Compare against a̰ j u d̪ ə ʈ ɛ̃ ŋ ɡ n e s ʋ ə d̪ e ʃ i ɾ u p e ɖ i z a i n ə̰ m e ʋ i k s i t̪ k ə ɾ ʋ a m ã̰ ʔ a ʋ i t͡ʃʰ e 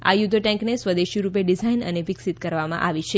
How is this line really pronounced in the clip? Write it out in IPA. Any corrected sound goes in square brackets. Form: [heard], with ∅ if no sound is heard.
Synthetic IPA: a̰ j u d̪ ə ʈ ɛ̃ ŋ [k] n e s ʋ ə d̪ e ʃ i ɾ u p e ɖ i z a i n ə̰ [n] e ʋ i k s i t̪ k ə ɾ ʋ a m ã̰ ʔ a ʋ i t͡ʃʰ e